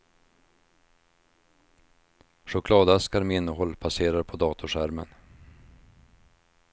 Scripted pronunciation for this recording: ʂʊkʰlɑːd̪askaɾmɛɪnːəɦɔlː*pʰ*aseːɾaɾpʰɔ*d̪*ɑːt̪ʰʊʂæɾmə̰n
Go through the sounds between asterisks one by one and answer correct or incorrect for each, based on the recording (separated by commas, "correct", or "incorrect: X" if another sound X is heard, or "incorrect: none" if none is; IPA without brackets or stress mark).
correct, correct